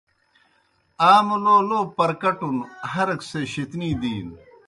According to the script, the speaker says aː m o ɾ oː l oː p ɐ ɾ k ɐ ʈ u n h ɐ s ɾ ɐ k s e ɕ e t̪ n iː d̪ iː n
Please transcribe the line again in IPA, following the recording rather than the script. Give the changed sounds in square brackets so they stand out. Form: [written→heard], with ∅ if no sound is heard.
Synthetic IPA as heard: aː m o [ɾ→l] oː l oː p ɐ ɾ k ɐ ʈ u n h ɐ [s→∅] ɾ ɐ k s e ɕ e t̪ n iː d̪ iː n